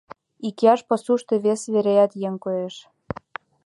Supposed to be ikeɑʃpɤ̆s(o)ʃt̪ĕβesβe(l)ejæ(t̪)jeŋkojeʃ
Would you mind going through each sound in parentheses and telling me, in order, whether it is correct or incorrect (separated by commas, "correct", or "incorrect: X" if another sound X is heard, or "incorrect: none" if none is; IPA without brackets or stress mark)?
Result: incorrect: u, incorrect: ɾ, correct